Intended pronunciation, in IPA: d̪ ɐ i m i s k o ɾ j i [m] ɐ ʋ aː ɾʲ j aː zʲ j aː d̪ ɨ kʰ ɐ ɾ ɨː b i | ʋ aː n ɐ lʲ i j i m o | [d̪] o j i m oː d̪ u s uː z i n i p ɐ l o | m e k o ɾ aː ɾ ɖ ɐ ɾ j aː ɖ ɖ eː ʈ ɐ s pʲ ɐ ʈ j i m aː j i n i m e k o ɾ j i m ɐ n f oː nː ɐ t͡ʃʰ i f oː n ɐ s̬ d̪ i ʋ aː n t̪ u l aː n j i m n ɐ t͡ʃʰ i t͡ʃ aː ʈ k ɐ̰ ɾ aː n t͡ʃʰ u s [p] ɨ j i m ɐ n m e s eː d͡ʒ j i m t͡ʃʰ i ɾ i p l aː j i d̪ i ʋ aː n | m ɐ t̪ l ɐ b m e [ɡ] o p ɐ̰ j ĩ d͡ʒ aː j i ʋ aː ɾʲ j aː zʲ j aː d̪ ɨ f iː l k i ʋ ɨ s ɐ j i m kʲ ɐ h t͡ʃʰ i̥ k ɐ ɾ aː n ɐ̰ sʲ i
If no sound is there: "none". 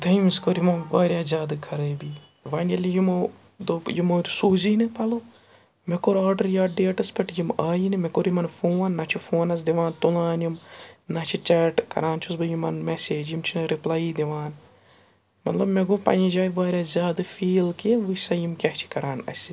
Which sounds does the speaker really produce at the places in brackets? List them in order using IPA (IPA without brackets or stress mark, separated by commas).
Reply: m, d̪, b, ɡ